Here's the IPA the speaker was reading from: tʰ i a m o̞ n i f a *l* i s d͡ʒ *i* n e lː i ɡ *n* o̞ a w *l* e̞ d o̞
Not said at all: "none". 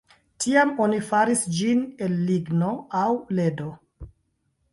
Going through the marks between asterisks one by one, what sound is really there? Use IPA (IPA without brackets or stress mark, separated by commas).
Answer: ɾ, i, n, l